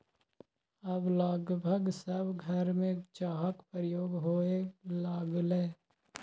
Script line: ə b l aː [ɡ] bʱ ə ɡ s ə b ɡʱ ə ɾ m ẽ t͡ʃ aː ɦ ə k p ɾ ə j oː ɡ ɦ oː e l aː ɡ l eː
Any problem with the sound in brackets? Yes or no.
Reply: no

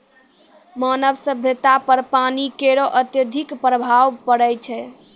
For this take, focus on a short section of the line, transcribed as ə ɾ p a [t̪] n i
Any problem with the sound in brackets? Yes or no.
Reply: yes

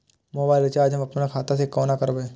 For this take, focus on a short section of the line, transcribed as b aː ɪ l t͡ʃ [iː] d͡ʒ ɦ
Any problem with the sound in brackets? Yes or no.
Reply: yes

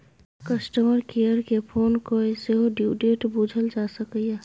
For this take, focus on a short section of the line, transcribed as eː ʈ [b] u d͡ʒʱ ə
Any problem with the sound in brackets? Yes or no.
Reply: no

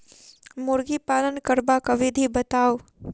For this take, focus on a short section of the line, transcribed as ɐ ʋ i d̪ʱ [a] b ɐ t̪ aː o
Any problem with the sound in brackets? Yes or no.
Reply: yes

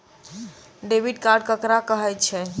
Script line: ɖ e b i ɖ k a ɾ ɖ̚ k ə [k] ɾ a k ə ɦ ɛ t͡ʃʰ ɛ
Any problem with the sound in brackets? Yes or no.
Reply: no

